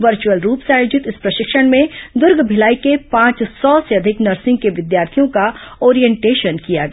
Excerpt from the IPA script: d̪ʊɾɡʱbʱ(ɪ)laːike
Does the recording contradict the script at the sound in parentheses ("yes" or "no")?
no